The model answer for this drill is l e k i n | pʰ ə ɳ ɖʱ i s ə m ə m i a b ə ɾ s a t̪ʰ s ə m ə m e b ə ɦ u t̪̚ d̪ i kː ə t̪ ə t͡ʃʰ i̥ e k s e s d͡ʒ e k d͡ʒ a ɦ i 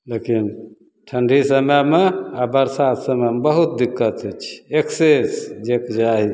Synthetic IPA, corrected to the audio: l e k i n | ʈʰ ə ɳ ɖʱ i s ə m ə m e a b ə ɾ s a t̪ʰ s ə m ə m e b ə ɦ u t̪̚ d̪ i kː ə t̪ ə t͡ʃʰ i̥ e k s e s d͡ʒ e k d͡ʒ a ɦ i